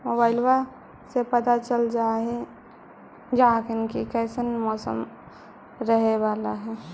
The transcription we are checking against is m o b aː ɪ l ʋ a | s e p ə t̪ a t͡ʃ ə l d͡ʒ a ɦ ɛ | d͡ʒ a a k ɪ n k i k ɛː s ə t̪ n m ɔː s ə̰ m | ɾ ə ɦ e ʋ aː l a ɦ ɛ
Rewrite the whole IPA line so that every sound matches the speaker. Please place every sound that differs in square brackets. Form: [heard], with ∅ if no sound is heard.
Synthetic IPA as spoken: m o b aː ɪ l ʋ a | s e p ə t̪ a t͡ʃ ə l d͡ʒ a ɦ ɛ | d͡ʒ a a k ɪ n k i k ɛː s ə [∅] n m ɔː s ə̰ m | ɾ ə ɦ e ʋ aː l a ɦ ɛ

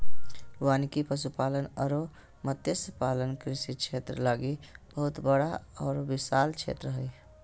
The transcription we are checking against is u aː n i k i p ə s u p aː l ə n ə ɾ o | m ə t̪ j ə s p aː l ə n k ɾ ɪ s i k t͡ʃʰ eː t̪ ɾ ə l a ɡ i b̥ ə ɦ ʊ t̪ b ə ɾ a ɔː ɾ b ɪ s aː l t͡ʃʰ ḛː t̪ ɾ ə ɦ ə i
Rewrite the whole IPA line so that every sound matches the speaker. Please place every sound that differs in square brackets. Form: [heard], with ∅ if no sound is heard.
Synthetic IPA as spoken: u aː n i k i p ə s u p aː l ə n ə ɾ o | m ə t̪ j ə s p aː l ə n k ɾ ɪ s i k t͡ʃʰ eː t̪ ɾ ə l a ɡ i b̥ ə ɦ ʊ t̪ b ə [ɽ] a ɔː ɾ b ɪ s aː l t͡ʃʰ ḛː t̪ ɾ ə ɦ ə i

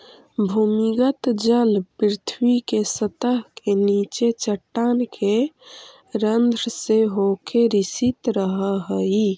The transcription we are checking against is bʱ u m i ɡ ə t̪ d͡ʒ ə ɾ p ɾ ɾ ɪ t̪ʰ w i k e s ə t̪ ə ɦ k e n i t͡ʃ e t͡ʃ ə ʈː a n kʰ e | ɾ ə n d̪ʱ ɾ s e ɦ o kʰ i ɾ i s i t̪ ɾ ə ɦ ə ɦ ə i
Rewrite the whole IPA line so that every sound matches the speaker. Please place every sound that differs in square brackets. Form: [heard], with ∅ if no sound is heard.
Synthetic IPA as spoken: bʱ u m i ɡ ə t̪ d͡ʒ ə [l] p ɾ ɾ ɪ t̪ʰ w i k e s ə t̪ ə ɦ k e n i t͡ʃ e t͡ʃ ə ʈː a n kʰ e | ɾ ə n d̪ʱ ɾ s e ɦ o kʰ [e] ɾ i s i t̪ ɾ ə ɦ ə ɦ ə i

